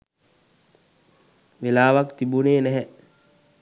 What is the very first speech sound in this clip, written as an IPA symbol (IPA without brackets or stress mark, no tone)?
ʋ